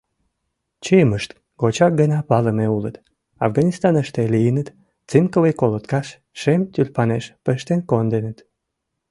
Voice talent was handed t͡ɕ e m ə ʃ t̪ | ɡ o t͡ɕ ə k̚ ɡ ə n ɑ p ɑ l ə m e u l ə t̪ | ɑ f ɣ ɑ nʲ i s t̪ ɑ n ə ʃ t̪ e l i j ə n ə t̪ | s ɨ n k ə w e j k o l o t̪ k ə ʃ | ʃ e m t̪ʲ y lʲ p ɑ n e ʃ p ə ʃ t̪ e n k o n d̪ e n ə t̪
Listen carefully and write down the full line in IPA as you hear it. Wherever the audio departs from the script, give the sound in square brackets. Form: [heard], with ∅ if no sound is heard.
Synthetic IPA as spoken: t͡ɕ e m ə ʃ t̪ | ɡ o t͡ɕ [ɑ] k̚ ɡ ə n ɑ p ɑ l ə m e u l ə t̪ | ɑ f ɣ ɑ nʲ i s t̪ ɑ n ə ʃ t̪ e l i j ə n ə t̪ | [t͡s] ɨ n k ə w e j k o l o t̪ k [ɑ] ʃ | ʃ e m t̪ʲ y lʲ p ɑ n e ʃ p ə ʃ t̪ e n k o n d̪ e n ə t̪